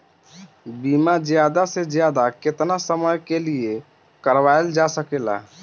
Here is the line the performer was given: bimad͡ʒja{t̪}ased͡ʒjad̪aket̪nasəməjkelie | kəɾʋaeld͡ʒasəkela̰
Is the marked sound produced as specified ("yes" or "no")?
no